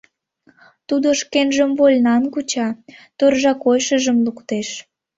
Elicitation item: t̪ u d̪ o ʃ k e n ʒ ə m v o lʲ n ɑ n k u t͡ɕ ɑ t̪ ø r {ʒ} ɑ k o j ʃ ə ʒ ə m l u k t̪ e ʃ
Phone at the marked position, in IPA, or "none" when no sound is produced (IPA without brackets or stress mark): ʒ